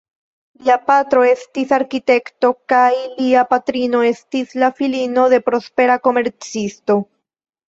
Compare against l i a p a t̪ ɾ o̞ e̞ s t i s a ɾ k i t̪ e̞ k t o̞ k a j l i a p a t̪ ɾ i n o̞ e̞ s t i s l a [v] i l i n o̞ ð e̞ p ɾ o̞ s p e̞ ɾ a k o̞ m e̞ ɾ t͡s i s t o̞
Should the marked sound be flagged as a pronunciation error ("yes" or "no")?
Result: yes